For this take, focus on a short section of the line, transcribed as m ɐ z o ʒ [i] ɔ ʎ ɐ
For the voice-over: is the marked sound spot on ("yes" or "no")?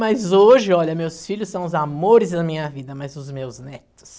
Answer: no